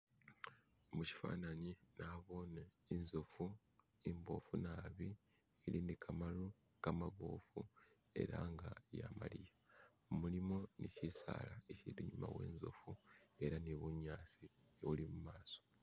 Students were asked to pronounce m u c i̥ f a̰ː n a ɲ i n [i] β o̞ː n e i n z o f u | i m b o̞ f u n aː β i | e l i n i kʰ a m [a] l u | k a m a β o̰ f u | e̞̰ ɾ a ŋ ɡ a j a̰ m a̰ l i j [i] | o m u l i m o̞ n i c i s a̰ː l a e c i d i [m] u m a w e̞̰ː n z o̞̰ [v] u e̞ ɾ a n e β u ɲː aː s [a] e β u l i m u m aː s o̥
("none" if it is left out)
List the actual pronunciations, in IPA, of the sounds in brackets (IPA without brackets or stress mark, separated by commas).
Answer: a, a, a, ɲ, f, i